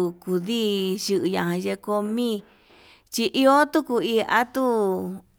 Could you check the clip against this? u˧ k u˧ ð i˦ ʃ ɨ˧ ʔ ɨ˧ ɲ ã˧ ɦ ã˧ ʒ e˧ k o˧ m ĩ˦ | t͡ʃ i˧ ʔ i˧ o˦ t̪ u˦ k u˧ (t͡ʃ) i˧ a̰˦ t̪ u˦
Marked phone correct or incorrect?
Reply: incorrect